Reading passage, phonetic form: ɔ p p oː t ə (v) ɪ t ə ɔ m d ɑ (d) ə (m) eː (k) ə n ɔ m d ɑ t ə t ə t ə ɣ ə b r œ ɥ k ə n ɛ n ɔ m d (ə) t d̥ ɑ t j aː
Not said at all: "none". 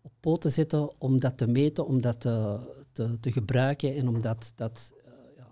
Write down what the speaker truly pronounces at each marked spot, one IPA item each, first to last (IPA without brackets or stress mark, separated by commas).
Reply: z, t, m, t, ɑ